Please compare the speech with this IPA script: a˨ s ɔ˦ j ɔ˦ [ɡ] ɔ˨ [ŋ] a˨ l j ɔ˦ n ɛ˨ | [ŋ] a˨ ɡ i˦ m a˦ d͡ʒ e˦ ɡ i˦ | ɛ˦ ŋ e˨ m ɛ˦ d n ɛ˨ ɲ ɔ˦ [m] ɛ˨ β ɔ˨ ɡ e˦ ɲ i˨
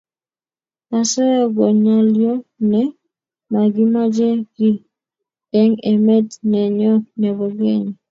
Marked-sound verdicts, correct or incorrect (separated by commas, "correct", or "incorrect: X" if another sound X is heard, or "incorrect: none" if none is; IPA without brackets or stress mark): correct, incorrect: ɲ, incorrect: m, incorrect: n